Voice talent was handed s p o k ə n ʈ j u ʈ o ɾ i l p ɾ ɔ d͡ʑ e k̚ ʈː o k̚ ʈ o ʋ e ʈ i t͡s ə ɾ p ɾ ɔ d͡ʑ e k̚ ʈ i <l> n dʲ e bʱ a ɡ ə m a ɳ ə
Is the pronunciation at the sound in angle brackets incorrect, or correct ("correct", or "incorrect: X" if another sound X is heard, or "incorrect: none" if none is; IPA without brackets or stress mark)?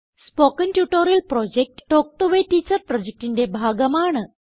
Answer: incorrect: none